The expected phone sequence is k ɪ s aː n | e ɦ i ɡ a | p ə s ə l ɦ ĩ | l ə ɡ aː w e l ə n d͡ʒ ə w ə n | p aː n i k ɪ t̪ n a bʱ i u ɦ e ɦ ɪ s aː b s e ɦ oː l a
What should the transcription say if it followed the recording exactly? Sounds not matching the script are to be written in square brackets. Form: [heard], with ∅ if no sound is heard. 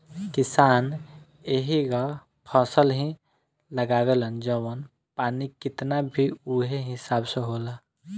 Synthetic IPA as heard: k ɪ s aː n | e ɦ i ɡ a | [pʰ] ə s ə l ɦ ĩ | l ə ɡ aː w e l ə n d͡ʒ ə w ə n | p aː n i k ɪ t̪ n a bʱ i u ɦ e ɦ ɪ s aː b s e ɦ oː l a